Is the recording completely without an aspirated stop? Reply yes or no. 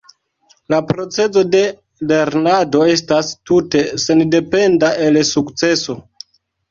yes